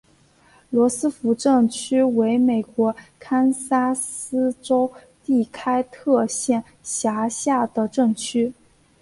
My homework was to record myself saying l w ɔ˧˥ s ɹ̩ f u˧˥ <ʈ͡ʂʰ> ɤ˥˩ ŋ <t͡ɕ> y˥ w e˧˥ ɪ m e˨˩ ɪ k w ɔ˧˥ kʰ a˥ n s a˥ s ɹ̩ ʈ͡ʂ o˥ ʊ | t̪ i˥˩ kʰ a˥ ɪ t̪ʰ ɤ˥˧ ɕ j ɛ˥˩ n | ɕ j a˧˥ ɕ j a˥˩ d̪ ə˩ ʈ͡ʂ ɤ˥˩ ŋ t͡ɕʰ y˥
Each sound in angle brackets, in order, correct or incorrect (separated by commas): incorrect, incorrect